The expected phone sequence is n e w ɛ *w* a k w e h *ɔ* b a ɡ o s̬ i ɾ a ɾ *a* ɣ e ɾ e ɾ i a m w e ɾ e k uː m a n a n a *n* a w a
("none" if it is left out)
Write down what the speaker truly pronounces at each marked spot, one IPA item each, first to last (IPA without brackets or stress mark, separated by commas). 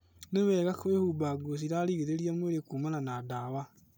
ɣ, u, i, d